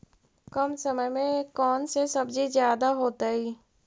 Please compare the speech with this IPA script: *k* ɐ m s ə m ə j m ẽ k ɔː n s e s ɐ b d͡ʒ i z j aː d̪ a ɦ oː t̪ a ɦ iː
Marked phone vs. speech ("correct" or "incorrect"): correct